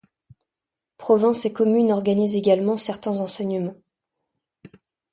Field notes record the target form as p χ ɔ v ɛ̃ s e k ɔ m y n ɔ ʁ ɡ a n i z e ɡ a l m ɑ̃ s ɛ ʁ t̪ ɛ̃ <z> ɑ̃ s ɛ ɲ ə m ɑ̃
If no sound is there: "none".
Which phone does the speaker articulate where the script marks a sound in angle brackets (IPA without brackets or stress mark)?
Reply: z